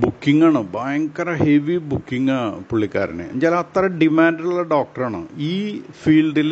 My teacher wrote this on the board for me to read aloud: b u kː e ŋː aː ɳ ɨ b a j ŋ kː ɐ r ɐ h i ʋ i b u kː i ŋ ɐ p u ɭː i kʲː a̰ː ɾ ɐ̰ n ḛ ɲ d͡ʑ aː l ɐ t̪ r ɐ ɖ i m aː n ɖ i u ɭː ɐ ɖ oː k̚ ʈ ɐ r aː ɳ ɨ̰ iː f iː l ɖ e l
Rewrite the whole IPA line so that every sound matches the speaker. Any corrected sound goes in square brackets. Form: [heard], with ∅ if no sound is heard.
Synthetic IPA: b u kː [i] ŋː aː ɳ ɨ b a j ŋ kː ɐ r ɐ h [e] ʋ i b u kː i ŋ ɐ p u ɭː i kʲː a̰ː ɾ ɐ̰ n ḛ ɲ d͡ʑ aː l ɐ t̪ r ɐ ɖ i m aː n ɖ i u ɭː ɐ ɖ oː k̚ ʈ ɐ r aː ɳ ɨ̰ iː f iː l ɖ [i] l